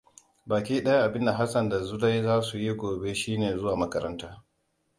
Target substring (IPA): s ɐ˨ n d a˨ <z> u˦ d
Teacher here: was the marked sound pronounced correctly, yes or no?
yes